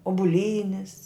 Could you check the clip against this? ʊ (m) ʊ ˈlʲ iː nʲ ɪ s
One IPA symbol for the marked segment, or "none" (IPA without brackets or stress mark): b